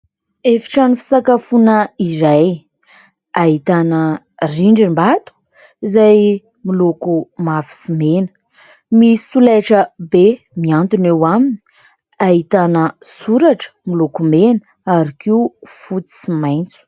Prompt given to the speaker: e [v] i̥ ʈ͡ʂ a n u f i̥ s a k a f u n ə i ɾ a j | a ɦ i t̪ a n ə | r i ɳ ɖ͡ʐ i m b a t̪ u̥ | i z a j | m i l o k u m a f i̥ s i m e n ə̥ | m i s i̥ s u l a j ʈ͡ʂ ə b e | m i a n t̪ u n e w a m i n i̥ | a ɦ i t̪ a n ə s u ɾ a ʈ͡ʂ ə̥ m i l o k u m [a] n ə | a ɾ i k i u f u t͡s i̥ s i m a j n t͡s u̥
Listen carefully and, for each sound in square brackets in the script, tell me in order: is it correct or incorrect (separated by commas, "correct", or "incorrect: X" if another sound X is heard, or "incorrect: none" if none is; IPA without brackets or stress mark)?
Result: incorrect: f, incorrect: e